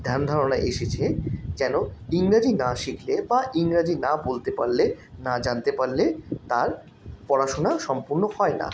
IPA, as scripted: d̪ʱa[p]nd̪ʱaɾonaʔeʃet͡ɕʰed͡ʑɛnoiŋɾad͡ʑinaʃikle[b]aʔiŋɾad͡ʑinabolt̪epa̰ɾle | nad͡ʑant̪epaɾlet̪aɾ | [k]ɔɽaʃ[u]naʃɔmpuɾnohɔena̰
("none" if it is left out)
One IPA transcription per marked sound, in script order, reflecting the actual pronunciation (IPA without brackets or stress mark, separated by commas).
none, b, p, o